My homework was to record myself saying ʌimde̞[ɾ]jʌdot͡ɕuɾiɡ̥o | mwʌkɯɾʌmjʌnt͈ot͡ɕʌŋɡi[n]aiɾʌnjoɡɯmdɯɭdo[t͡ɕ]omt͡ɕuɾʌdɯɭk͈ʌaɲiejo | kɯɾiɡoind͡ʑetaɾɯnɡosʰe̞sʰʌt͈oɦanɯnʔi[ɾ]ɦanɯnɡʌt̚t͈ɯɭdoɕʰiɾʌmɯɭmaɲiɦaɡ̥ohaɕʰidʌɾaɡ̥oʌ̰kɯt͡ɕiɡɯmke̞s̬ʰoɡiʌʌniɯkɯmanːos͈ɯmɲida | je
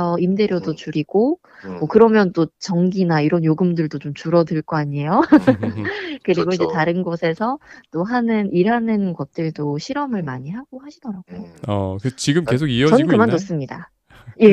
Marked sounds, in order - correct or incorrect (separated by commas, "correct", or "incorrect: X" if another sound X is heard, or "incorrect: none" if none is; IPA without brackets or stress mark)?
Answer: correct, correct, correct, correct